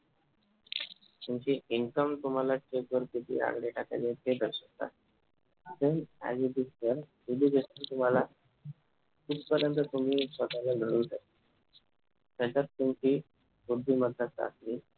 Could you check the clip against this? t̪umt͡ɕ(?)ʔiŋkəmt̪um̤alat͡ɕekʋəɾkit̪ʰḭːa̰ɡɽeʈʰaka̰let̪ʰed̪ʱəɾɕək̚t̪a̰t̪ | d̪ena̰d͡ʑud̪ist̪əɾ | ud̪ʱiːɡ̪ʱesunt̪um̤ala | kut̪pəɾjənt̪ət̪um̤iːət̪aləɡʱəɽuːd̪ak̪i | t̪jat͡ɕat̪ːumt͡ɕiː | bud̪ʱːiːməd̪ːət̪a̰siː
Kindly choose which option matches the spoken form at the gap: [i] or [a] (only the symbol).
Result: i